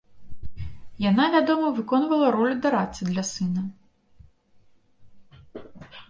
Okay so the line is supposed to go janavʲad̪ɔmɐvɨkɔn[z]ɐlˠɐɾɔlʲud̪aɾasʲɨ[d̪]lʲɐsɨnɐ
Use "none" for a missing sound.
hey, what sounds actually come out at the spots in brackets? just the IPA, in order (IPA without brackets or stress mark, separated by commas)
v, d̪